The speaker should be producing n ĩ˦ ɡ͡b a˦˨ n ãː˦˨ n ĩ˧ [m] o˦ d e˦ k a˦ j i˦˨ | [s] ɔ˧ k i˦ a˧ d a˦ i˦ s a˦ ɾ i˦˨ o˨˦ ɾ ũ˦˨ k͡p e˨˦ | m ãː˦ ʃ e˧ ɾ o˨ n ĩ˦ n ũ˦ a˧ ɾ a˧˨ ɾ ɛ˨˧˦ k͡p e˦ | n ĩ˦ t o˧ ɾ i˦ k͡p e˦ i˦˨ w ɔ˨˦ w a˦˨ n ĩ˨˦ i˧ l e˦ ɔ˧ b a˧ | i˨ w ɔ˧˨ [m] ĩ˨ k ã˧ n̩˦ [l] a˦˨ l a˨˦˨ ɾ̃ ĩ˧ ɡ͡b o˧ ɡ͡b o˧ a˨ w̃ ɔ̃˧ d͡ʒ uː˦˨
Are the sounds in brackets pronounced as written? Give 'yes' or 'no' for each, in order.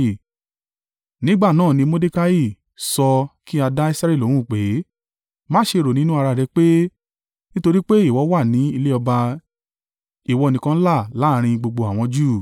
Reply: yes, yes, no, yes

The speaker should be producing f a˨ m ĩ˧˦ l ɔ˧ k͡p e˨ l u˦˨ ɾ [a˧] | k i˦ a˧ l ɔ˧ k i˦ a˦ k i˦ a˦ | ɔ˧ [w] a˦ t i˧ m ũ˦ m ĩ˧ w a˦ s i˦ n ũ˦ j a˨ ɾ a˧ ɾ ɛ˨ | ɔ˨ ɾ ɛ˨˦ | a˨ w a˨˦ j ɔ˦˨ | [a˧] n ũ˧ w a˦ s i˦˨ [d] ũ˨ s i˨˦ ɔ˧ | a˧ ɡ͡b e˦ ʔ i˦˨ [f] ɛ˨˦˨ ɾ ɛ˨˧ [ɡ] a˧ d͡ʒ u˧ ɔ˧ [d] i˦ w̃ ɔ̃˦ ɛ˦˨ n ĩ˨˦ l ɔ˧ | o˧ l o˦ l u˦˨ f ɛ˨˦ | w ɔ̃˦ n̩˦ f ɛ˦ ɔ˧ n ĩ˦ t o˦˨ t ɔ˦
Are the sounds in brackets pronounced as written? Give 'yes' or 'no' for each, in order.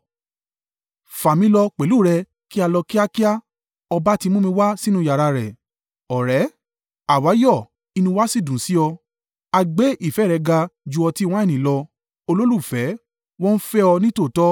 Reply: no, no, no, yes, yes, yes, no

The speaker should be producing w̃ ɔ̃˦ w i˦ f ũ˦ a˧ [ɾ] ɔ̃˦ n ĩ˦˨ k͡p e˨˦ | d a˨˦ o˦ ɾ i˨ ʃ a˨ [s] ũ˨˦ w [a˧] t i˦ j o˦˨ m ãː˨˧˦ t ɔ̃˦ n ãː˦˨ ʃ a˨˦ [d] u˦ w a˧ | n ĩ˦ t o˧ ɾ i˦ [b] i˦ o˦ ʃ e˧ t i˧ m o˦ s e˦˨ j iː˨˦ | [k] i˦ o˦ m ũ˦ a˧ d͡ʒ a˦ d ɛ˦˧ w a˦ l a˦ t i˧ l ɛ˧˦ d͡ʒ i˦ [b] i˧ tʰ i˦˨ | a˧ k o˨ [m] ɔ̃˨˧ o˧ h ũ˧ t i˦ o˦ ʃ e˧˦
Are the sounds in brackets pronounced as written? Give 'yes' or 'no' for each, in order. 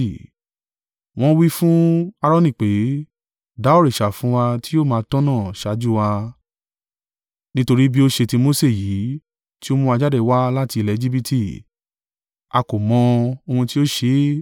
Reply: yes, no, yes, no, yes, no, yes, yes

